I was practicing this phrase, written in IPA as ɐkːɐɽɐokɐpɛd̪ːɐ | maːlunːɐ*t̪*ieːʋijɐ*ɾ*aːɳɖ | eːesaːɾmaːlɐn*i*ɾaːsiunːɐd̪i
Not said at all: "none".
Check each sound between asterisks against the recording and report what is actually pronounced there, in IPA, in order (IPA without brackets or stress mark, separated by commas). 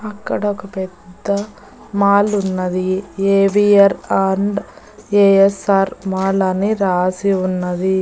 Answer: d̪, ɾ, i